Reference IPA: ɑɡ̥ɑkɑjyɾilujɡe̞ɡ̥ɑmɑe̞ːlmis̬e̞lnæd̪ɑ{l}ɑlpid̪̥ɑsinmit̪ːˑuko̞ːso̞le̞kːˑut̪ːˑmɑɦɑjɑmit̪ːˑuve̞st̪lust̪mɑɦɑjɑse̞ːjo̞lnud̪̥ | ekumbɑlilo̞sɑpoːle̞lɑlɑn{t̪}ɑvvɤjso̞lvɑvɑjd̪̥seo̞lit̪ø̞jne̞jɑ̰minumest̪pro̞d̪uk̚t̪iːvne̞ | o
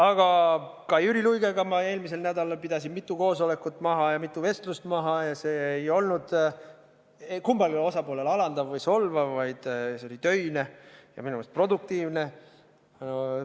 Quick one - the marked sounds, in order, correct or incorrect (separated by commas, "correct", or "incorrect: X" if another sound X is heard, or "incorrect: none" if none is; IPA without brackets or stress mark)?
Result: correct, incorrect: d̪